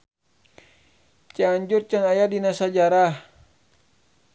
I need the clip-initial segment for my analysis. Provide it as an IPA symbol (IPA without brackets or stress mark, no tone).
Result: t͡ʃ